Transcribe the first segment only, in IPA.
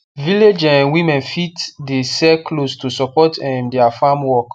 v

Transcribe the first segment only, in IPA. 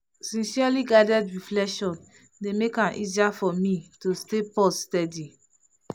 s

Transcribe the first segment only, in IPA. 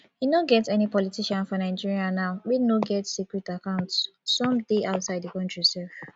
h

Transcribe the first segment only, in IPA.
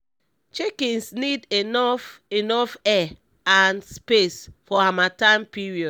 t͡ʃ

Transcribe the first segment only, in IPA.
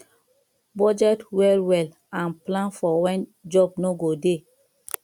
b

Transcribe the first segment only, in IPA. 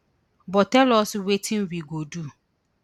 b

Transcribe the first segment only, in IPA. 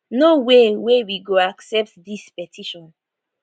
n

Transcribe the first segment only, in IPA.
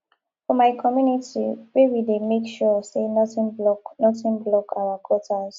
f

